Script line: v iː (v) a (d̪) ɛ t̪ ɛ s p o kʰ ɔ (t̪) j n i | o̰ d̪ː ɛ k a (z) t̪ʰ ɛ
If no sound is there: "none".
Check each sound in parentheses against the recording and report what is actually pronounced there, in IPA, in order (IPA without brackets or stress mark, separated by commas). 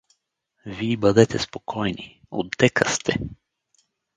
b, d̪, none, s